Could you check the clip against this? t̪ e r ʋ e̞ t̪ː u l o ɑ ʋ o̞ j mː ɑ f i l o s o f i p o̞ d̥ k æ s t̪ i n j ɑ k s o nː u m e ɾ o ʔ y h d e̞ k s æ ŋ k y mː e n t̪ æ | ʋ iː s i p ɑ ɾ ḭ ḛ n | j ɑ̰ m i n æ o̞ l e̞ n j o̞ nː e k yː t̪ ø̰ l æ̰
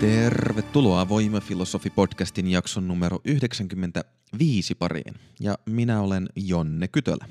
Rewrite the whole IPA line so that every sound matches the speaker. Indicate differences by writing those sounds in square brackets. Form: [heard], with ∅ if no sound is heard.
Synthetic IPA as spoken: t̪ e r ʋ e̞ t̪ː u l o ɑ ʋ o̞ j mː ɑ f i l o s o f i p o̞ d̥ k æ s t̪ i n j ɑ k s o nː u m e ɾ o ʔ y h d e̞ k s æ ŋ k y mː e n t̪ æ | ʋ iː s i p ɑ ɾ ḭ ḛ n | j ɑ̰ m i n æ o̞ l e̞ n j o̞ nː e k [y] t̪ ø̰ l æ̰